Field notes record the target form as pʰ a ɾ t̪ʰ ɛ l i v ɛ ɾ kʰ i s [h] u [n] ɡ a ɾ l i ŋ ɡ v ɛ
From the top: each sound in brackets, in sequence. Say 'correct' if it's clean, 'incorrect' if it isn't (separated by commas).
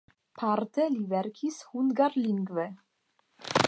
correct, correct